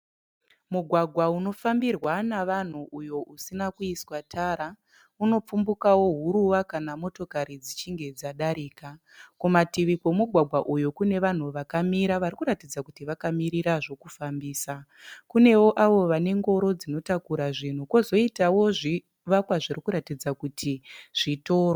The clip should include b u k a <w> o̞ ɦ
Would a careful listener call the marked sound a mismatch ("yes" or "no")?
no